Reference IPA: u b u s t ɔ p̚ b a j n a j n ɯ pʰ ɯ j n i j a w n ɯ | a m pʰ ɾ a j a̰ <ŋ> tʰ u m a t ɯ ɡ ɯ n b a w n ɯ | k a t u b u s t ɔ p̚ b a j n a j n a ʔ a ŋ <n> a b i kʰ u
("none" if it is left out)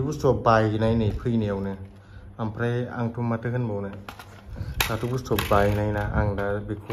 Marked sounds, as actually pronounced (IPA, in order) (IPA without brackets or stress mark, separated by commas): ŋ, d